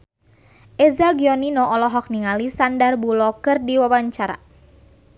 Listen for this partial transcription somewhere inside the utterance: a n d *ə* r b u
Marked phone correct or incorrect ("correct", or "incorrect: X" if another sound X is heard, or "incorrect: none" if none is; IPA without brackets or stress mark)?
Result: incorrect: a